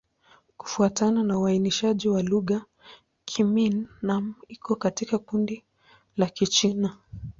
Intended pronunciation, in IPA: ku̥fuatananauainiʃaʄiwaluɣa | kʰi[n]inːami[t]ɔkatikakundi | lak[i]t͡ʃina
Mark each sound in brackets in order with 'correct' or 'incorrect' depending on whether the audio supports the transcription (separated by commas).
incorrect, incorrect, correct